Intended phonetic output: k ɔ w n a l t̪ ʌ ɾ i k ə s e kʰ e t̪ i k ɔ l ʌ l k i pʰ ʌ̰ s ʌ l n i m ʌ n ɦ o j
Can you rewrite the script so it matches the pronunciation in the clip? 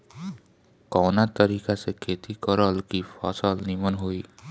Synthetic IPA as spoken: k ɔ w n a t̪ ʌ ɾ i k a s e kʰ e t̪ i k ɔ ɾ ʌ l k i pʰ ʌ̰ s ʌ l n i m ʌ n ɦ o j